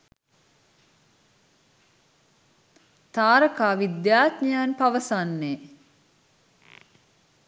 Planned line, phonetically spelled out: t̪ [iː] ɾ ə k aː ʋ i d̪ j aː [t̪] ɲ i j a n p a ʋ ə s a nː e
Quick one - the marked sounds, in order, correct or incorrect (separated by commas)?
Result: incorrect, correct